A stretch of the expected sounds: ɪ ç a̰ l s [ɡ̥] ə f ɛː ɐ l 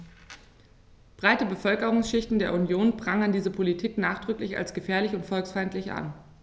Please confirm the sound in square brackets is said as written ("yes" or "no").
yes